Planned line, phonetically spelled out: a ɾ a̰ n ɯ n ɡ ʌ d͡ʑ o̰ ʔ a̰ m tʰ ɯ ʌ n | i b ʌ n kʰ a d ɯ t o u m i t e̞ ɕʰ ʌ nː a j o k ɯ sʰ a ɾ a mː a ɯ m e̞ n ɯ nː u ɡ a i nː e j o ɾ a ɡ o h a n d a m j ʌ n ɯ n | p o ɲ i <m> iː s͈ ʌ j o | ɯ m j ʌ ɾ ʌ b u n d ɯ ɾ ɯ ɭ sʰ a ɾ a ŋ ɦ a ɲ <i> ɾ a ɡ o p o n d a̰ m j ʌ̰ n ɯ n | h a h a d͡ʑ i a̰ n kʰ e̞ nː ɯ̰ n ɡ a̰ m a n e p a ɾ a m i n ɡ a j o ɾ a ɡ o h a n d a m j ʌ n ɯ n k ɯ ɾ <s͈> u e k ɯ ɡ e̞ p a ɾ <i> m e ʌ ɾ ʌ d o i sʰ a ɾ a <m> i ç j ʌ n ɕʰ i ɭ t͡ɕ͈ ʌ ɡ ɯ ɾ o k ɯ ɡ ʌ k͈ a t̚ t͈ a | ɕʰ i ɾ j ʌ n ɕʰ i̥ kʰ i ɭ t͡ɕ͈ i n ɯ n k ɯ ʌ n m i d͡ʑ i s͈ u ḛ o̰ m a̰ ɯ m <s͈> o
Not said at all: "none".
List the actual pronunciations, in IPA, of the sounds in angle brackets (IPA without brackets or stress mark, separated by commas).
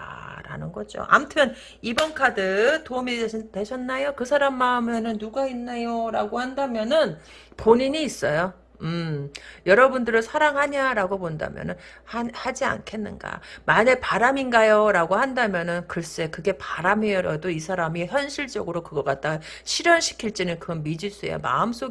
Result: ɲ, a, s͈, a, m, s͈